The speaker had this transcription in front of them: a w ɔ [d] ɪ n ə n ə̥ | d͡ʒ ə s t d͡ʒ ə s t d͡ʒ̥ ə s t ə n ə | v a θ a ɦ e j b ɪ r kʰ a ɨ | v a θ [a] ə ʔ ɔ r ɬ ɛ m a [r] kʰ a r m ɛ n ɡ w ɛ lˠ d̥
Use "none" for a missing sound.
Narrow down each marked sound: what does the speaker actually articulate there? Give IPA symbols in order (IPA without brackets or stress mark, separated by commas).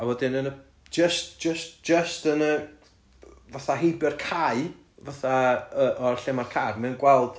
d, a, r